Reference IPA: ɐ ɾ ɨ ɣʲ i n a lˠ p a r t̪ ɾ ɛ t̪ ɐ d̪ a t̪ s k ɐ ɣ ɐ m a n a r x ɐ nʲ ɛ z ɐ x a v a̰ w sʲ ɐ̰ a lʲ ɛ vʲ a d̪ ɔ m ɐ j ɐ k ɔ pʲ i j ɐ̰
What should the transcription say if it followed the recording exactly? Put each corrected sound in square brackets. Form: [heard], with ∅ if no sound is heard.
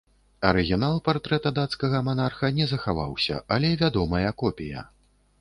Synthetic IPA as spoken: ɐ ɾ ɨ ɣʲ i n a lˠ p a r t̪ ɾ ɛ t̪ ɐ d̪ a t̪ s k ɐ ɣ ɐ m a n a r x ɐ nʲ ɛ z ɐ x a v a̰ w sʲ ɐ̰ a lʲ ɛ vʲ a d̪ ɔ m ɐ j ɐ k ɔ pʲ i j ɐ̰